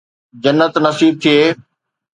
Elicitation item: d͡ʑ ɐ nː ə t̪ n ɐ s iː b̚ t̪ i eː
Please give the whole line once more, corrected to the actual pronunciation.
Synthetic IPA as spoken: d͡ʑ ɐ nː ə t̪ n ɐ s iː b̚ t̪ʰ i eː